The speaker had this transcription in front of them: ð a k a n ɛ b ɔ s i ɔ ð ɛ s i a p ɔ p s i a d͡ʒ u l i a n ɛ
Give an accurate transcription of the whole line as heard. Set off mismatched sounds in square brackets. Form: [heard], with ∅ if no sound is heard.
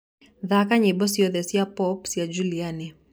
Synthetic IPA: ð a k a [ɲ] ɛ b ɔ s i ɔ ð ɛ s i a p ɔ p s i a d͡ʒ u l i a n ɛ